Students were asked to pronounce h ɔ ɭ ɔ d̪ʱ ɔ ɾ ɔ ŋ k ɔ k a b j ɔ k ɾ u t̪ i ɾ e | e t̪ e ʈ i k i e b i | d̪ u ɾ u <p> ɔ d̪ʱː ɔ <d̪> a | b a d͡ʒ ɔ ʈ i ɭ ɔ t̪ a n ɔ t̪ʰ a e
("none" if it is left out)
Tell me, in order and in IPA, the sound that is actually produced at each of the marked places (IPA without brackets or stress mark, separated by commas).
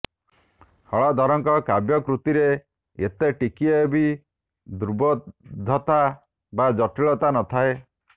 b, t̪